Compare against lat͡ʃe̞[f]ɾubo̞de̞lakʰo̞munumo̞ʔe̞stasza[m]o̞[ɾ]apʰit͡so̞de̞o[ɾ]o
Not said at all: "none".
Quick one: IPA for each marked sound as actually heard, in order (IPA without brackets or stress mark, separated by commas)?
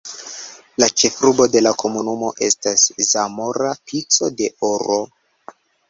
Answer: f, m, ɾ, ɾ